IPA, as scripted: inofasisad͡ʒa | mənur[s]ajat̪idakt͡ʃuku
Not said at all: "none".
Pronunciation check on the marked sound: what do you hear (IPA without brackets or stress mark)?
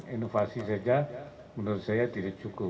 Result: s